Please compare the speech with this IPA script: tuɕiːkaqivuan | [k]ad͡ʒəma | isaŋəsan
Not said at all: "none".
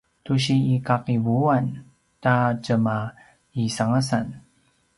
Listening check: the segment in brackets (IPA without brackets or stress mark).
t